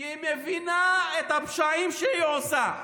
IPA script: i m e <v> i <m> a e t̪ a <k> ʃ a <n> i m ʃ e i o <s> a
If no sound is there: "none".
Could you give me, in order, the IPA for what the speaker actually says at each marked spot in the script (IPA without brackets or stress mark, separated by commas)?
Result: v, n, p, none, s